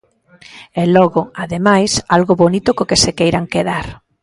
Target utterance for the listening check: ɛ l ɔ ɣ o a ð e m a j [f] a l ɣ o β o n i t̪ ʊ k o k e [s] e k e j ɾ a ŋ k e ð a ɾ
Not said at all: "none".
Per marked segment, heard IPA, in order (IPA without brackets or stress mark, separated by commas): s, s